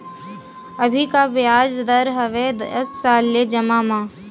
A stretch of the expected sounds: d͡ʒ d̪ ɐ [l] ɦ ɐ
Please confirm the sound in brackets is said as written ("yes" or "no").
no